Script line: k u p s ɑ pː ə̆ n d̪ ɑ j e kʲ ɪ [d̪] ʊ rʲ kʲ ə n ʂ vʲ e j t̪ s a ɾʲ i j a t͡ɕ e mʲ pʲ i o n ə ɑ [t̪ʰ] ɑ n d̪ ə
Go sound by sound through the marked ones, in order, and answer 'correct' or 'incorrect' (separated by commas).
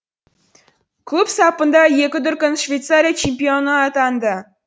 correct, incorrect